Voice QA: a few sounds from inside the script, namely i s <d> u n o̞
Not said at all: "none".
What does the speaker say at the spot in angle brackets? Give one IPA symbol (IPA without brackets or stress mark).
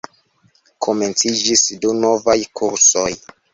d